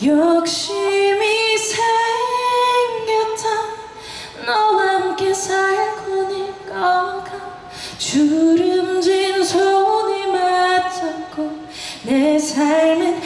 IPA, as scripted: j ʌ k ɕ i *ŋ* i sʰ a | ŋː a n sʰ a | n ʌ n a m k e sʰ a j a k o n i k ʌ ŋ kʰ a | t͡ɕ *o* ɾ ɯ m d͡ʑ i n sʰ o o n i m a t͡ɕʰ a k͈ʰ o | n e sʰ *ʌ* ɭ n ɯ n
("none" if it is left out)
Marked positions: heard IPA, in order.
m, u, a

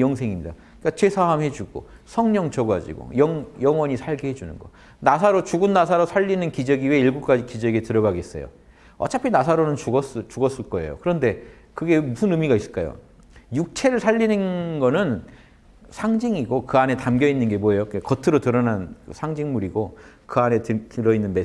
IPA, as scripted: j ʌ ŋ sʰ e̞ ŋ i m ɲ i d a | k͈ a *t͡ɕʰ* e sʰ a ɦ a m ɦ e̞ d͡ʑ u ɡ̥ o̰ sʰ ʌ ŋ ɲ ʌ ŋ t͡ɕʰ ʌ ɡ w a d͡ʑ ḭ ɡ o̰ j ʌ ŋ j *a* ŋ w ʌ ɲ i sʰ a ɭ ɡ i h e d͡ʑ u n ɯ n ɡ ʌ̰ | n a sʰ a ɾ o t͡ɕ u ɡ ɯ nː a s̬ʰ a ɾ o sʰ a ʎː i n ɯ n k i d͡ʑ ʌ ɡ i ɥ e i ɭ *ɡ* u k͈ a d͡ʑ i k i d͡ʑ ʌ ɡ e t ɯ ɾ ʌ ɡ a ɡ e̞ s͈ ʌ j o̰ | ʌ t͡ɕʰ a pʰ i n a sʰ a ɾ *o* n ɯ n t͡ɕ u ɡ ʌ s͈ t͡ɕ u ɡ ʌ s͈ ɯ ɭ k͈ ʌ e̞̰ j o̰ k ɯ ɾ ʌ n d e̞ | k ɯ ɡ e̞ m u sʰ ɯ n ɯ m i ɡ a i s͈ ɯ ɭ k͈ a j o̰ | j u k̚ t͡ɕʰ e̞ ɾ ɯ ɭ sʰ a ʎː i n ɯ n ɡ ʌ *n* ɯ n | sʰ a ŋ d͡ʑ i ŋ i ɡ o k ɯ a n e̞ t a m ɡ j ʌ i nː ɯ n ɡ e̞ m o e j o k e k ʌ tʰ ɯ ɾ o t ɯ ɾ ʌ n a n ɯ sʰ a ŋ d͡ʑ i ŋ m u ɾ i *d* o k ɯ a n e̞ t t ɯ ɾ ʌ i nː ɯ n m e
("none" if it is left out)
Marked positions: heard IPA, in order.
t͡ɕ, ʌ, ɡ, o, n, ɡ

